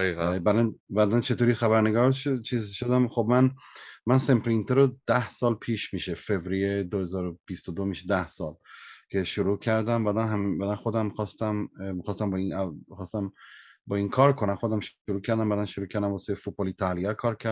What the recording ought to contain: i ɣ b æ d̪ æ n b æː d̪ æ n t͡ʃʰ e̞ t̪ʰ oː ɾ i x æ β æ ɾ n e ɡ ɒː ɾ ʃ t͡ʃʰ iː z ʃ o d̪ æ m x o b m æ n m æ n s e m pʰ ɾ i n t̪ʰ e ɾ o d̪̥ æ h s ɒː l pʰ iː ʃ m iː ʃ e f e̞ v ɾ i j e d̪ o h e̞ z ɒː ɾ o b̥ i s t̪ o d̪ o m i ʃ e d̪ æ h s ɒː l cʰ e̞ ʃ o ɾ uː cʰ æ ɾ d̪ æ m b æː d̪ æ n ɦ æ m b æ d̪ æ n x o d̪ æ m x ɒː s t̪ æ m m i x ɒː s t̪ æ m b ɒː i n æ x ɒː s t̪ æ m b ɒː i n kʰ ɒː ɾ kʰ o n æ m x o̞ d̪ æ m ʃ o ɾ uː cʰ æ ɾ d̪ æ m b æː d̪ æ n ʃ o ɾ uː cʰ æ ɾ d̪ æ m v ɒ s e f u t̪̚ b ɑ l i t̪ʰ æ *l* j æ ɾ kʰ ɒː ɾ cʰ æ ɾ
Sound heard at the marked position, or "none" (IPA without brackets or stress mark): l